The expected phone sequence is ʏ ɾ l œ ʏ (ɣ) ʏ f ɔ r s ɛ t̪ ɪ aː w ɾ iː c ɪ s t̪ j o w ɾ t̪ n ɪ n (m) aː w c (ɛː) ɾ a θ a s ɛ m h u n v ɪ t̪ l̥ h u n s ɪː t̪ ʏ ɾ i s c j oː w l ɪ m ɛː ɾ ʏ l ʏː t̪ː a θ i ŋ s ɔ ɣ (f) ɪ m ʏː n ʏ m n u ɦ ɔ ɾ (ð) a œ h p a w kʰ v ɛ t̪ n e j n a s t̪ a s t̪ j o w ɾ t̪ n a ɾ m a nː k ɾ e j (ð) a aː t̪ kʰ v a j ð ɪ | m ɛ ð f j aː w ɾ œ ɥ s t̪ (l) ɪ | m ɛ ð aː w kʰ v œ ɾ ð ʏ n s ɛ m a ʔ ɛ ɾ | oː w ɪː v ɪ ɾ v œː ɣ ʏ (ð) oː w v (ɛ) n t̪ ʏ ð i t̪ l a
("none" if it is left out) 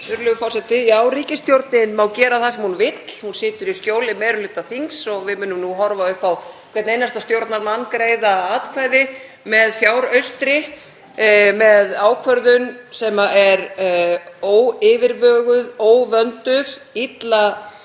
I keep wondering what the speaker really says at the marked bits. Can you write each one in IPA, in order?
ɣ, m, ɛː, v, v, ð, ɾ, ð, œ

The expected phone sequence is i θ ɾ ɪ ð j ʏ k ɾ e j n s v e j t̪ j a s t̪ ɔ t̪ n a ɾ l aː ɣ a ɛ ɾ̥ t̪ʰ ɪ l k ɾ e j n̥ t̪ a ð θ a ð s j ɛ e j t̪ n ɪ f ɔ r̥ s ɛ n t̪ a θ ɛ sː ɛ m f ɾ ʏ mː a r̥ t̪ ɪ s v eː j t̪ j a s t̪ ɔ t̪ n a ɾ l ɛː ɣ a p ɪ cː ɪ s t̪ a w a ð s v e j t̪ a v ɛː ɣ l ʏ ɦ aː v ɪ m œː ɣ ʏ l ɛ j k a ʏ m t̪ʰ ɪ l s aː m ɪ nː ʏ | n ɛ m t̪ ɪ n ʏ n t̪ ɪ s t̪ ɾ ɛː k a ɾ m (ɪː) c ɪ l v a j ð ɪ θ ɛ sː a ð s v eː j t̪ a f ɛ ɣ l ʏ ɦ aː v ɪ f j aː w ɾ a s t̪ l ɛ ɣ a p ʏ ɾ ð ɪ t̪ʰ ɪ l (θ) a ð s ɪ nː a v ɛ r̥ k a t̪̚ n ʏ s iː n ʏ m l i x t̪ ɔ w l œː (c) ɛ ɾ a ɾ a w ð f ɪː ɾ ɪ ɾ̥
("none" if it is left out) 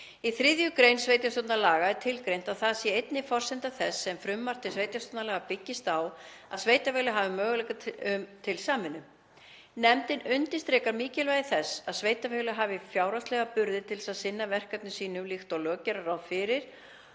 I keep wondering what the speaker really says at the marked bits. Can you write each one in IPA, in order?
iː, s, c

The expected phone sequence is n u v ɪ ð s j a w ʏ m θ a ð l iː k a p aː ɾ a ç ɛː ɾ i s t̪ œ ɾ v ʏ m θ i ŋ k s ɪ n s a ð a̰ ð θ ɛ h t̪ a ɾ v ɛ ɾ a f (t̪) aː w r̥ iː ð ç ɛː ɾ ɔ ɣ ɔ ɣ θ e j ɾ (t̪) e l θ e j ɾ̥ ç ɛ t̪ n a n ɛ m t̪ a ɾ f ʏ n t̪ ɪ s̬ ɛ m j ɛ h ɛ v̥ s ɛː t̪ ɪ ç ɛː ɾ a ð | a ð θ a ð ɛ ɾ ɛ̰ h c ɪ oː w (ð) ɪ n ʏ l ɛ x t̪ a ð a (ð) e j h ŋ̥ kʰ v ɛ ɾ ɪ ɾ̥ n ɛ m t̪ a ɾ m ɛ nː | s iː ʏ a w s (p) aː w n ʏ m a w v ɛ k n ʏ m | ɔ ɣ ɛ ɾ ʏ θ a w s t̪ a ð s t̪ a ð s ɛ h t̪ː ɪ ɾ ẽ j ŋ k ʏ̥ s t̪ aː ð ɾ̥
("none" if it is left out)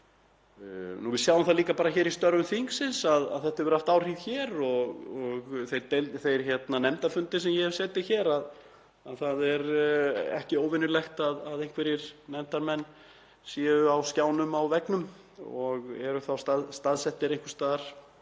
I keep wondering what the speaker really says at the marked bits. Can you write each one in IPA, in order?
t̪, t̪, v, ð, c

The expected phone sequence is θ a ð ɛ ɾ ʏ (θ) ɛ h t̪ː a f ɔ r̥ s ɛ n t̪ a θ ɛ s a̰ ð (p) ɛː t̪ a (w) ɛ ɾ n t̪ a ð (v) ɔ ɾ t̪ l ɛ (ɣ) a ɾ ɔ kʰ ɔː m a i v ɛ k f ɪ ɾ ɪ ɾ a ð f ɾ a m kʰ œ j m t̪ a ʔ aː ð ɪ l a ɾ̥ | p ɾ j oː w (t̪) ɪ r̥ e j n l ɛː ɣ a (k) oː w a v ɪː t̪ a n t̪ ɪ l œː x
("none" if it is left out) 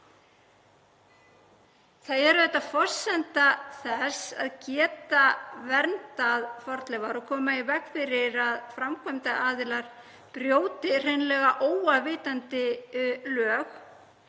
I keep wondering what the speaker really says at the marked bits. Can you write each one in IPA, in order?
ð, c, v, f, v, t̪, ʔ

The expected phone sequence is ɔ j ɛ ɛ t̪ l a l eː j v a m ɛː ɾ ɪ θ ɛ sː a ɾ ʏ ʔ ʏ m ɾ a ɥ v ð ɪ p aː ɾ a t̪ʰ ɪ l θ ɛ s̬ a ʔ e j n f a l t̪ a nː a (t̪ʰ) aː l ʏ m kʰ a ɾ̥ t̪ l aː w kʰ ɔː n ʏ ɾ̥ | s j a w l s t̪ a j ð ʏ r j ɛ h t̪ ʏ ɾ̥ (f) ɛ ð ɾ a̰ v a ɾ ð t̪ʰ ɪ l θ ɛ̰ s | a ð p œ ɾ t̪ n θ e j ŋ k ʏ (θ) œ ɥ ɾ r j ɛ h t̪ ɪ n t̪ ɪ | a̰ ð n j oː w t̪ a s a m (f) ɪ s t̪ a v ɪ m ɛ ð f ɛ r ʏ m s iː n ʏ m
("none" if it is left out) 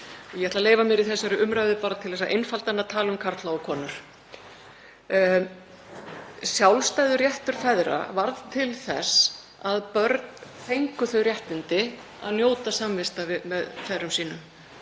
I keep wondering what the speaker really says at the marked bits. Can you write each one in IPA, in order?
t̪ʰ, f, θ, v

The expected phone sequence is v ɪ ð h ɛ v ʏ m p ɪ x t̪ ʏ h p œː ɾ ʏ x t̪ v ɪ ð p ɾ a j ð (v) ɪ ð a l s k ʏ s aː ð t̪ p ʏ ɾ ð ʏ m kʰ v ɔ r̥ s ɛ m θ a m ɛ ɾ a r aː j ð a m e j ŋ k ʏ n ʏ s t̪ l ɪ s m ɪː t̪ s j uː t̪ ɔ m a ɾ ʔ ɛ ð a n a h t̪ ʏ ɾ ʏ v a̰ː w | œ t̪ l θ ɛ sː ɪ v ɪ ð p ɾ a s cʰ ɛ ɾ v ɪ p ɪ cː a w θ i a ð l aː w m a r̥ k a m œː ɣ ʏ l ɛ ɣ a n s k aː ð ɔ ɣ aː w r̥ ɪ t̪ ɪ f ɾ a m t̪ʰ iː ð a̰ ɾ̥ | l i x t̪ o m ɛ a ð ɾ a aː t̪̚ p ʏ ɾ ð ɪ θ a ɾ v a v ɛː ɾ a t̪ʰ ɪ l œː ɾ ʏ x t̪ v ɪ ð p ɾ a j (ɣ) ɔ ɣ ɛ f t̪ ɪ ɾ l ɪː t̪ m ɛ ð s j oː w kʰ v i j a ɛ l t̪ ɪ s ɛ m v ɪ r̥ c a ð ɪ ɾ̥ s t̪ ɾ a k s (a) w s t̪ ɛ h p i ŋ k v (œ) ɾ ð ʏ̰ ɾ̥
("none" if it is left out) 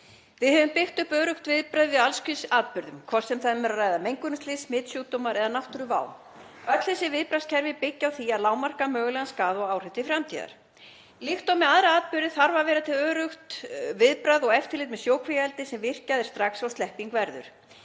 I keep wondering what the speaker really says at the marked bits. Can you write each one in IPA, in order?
v, ð, a, ɛ

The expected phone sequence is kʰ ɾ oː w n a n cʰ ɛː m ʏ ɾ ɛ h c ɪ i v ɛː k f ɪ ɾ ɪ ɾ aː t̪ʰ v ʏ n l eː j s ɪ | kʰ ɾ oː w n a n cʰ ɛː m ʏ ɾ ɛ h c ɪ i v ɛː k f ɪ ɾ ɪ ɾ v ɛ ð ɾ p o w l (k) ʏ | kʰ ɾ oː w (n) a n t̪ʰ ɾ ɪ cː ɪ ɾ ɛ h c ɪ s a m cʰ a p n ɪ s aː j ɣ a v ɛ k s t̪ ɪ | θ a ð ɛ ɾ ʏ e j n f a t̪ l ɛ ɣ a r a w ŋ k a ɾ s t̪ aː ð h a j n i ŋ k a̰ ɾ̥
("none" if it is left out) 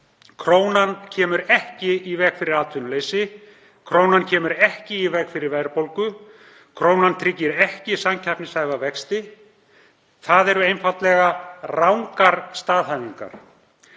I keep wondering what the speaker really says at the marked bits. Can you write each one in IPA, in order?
k, n

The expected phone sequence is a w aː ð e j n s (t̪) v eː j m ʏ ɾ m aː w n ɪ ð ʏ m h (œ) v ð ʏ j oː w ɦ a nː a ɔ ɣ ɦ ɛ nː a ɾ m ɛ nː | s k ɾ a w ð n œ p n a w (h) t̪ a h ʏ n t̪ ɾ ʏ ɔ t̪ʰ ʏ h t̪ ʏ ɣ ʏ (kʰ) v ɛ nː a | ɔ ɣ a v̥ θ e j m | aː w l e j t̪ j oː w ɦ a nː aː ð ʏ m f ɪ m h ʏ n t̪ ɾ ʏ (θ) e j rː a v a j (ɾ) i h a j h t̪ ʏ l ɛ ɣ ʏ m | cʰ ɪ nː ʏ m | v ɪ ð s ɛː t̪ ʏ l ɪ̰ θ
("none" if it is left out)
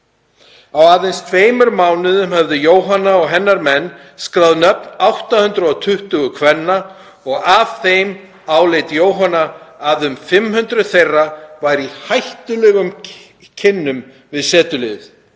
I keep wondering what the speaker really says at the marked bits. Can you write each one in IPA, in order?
t̪ʰ, ɛ, h, kʰ, θ, ɾ

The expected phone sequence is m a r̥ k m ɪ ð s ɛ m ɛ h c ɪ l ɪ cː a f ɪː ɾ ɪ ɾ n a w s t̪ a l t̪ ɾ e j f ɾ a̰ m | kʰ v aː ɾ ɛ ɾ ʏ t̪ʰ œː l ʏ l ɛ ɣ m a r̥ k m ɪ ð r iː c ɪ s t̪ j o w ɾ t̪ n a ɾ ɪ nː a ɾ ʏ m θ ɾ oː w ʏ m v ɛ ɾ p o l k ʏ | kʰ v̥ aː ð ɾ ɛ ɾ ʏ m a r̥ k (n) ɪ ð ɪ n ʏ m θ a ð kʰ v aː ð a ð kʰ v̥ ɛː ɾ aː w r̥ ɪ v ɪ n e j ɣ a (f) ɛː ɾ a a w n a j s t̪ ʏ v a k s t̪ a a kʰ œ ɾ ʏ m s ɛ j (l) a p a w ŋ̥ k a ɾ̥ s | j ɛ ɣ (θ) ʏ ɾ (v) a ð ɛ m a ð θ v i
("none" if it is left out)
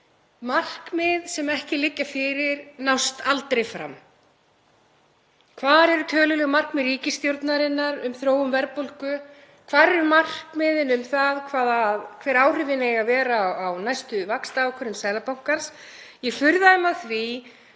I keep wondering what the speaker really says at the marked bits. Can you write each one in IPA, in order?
m, v, l, f, ð

